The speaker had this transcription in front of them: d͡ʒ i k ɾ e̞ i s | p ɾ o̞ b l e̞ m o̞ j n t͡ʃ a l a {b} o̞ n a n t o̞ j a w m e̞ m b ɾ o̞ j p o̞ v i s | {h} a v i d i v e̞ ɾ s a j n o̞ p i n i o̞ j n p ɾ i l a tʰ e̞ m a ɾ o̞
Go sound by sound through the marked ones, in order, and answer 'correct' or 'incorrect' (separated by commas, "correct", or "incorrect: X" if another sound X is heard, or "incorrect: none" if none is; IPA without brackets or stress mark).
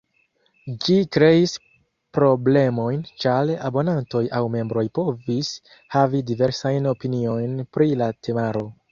correct, correct